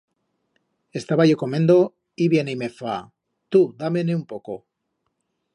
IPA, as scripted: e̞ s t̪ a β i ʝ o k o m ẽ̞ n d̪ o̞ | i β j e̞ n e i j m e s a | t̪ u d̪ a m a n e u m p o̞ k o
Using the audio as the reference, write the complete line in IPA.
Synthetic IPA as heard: e̞ s t̪ a β a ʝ o k o m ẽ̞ n d̪ o̞ | i β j e̞ n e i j m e f a | t̪ u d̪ a m e n e u m p o̞ k o